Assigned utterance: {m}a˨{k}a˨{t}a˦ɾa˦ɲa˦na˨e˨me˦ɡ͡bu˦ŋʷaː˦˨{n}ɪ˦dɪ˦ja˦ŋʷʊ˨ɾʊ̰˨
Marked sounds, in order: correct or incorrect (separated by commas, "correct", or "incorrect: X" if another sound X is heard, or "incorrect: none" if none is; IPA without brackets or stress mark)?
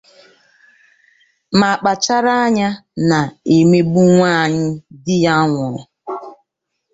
correct, incorrect: k͡p, incorrect: t͡ʃ, incorrect: ɲ